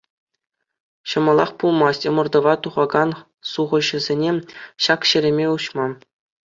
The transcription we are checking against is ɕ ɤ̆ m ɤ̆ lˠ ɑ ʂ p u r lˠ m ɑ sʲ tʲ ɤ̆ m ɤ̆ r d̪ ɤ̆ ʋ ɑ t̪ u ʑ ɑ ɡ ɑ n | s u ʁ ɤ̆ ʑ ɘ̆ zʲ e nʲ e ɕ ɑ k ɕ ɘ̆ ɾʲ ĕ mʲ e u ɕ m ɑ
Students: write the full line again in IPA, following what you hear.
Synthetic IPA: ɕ ɤ̆ m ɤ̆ lˠ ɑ χ p u lˠ m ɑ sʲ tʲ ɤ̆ m ɤ̆ r d̪ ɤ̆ ʋ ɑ t̪ u ʁ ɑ ɡ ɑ n | s u ʁ ɤ̆ ʑ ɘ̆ zʲ e nʲ e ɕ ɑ k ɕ ɘ̆ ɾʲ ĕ mʲ e u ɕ m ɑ